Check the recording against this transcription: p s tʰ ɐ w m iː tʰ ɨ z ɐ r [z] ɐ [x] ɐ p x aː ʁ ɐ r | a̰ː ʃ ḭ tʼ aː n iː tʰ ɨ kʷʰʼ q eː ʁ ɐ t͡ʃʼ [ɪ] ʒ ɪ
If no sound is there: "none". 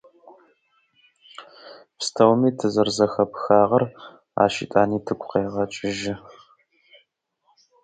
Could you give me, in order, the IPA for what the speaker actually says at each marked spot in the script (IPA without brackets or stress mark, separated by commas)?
z, x, ɪ